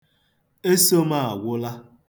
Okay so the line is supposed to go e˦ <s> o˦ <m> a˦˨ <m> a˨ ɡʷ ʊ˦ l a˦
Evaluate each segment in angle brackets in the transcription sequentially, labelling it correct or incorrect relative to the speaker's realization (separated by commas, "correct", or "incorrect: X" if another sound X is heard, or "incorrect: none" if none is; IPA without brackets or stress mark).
correct, correct, incorrect: none